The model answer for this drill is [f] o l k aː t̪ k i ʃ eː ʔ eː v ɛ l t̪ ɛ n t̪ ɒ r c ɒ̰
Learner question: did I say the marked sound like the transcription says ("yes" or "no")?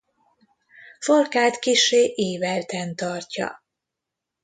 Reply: yes